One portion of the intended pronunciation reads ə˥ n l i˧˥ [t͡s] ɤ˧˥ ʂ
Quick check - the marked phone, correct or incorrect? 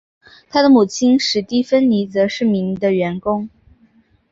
correct